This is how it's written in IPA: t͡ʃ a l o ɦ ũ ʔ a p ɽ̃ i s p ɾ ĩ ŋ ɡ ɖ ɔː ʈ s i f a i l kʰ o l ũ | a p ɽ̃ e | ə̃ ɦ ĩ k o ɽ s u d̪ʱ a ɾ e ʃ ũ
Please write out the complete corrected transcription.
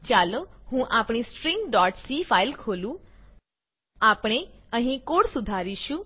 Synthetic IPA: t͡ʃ a l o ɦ ũ ʔ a p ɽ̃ i s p ɾ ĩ ŋ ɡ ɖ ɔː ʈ s i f a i l kʰ o l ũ | a p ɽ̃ e | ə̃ ɦ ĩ k o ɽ s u d̪ʱ a ɾ i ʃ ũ